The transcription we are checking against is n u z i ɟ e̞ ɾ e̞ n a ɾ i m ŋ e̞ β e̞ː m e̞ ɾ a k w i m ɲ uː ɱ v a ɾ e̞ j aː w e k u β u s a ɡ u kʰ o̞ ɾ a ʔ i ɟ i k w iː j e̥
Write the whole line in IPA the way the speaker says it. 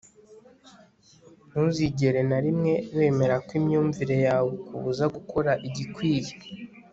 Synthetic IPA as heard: n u z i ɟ e̞ ɾ e̞ n a ɾ i m ŋ e̞ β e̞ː m e̞ ɾ a k w i m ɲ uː ɱ v i ɾ e̞ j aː w e k u β u z a ɡ u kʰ o̞ ɾ a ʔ i ɟ i k w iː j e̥